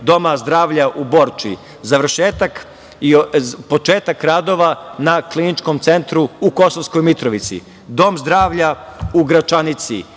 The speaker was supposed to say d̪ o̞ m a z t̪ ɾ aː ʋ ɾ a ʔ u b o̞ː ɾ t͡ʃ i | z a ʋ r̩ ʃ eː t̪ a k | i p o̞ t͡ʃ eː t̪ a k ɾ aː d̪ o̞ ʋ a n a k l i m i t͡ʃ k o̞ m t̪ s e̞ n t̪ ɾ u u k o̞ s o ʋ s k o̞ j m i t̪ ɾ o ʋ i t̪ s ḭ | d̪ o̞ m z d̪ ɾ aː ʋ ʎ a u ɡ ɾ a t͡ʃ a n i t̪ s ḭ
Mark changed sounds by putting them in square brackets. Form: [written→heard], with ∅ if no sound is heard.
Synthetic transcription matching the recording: d̪ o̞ m a z [t̪→d̪] ɾ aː ʋ [ɾ→ʎ] a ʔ u b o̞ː ɾ t͡ʃ i | z a ʋ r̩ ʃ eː t̪ a k | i p o̞ t͡ʃ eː t̪ a k ɾ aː d̪ o̞ ʋ a n a k l i [m→n] i t͡ʃ k o̞ m t̪ s e̞ n t̪ ɾ u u k o̞ s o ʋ s k o̞ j m i t̪ ɾ o ʋ i t̪ s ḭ | d̪ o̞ m z d̪ ɾ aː ʋ ʎ a u ɡ ɾ a t͡ʃ a n i t̪ s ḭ